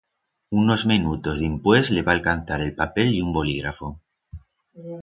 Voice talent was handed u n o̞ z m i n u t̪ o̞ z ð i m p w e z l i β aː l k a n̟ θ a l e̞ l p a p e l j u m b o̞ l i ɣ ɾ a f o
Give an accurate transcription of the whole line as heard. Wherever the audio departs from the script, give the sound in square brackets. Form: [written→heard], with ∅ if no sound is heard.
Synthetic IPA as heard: u n o̞ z m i n u t̪ o̞ z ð i m p w e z l [i→e] β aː l k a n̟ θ a [l→ɾ] e̞ l p a p e l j u m b o̞ l i ɣ ɾ a f o